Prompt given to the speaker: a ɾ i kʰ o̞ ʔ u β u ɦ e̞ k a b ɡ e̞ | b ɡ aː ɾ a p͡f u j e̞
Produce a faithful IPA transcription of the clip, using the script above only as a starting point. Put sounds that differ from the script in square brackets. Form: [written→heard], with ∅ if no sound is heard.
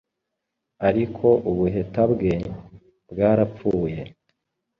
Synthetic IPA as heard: a ɾ i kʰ o̞ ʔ u β u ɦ e̞ [k→t] a b ɡ e̞ | b ɡ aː ɾ a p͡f [u→uː] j e̞